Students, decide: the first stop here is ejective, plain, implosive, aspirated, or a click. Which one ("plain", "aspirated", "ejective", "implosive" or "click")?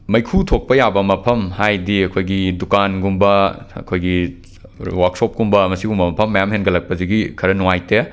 aspirated